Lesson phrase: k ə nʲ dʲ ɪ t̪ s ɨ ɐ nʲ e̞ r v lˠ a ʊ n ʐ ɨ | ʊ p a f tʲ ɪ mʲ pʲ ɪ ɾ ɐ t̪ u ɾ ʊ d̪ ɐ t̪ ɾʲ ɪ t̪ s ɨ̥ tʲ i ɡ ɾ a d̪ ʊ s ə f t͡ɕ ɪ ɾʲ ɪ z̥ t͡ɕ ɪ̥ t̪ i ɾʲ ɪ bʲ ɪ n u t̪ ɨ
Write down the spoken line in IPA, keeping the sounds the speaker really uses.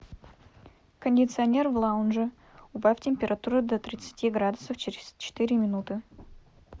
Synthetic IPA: k ə nʲ dʲ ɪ t̪ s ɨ ɐ nʲ e̞ r v lˠ a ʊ n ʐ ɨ | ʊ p a f tʲ ɪ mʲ pʲ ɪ ɾ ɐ t̪ u ɾ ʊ d̪ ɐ t̪ ɾʲ ɪ t̪ s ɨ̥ tʲ i ɡ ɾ a d̪ ʊ s ə f t͡ɕ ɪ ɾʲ ɪ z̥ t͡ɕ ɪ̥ t̪ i ɾʲ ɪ mʲ ɪ n u t̪ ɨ